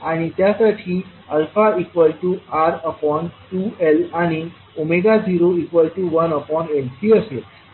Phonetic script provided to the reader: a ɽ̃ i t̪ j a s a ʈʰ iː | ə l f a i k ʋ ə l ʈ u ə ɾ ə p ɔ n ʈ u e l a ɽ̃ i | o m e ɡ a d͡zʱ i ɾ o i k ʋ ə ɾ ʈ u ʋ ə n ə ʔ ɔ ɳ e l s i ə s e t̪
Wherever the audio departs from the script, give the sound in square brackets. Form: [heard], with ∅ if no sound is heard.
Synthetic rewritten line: a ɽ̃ i t̪ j a s a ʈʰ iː | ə l f a i k ʋ ə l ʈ u [a] ɾ ə p ɔ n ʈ u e l a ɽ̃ i | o m e ɡ a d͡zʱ i ɾ o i k ʋ ə [l] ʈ u ʋ ə n ə [p] ɔ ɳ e l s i ə s e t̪